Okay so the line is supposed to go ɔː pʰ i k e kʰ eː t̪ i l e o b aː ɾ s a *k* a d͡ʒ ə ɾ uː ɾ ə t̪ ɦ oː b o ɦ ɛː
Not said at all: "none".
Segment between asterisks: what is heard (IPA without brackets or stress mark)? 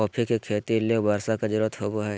k